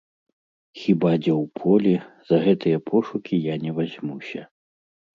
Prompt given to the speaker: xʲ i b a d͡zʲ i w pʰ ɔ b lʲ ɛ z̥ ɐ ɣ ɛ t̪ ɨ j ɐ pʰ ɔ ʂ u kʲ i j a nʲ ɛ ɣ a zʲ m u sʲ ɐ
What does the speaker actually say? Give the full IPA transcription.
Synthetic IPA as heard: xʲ i b a d͡zʲ ɛ w pʰ ɔ lʲ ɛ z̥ ɐ ɣ ɛ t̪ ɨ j ɐ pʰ ɔ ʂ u kʲ i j a nʲ ɛ v a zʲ m u sʲ ɐ